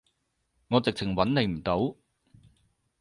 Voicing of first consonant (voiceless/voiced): voiced